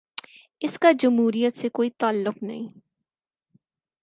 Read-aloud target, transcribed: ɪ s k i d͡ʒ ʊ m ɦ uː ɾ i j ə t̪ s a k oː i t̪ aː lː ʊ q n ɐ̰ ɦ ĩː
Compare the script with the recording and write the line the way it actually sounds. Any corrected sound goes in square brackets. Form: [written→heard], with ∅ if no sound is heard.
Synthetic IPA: ɪ s k [i→a] d͡ʒ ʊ m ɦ uː ɾ i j ə t̪ s [a→e] k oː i t̪ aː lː ʊ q n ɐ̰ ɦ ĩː